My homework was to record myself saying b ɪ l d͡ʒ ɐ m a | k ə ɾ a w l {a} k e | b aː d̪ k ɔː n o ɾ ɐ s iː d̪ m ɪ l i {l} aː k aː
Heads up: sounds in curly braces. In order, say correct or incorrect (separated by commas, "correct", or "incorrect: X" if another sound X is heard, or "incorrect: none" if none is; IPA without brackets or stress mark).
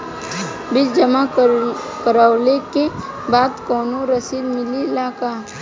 incorrect: e, correct